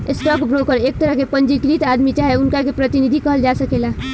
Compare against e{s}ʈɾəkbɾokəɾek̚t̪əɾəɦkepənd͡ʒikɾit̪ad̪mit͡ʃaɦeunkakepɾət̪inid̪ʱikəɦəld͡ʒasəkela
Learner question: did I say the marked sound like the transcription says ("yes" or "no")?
yes